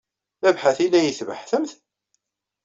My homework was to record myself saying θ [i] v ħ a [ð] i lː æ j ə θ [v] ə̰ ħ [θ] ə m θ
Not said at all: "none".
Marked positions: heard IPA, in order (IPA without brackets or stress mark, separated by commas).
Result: æ, θ, v, θ